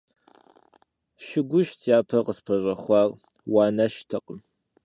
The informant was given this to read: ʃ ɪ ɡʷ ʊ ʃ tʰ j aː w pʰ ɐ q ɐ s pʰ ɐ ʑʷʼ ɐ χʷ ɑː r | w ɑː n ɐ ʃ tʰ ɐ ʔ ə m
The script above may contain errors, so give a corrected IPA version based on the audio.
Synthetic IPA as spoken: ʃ ɪ ɡʷ ʊ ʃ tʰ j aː pʰ ɐ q ə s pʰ ɐ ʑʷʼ ɐ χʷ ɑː r | w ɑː n ɐ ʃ tʰ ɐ q ə m